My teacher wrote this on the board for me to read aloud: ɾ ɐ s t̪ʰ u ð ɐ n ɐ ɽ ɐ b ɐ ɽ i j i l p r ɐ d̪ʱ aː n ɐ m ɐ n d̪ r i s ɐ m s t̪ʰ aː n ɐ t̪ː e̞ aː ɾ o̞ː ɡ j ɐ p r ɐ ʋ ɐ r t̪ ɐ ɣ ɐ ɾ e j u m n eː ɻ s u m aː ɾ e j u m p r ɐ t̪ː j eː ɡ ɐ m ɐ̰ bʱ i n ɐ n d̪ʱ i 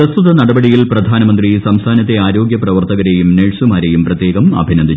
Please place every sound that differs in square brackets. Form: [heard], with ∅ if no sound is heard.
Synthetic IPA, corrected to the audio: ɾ ɐ s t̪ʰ u ð ɐ n ɐ ɽ ɐ b ɐ ɽ i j i l p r ɐ d̪ʱ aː n ɐ m ɐ n d̪ r i s ɐ m s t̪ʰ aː n ɐ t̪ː e̞ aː ɾ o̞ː ɡ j ɐ p r ɐ ʋ ɐ r t̪ ɐ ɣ ɐ ɾ e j u m n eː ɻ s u m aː ɾ e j u m p r ɐ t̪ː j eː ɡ ɐ m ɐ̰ bʱ i n ɐ n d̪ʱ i